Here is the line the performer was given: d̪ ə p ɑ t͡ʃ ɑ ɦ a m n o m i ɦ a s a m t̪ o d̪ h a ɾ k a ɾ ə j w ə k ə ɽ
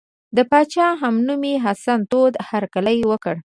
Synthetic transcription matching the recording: d̪ ə p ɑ t͡ʃ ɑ ɦ a m n u m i ɦ a s a n t̪ o d̪ h a ɾ k a l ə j w ə k ə ɽ